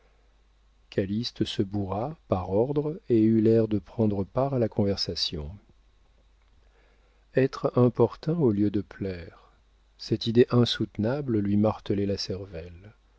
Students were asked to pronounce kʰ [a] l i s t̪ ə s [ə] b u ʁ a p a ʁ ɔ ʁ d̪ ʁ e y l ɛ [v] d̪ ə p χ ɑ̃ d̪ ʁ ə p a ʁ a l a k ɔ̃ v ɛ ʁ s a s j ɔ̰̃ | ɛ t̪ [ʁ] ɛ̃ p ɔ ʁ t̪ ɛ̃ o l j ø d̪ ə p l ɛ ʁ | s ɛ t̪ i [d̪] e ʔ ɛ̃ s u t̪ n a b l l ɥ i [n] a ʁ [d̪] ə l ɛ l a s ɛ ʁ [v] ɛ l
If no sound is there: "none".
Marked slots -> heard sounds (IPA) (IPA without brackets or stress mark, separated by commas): a, ə, ʁ, χ, d̪, m, t̪, v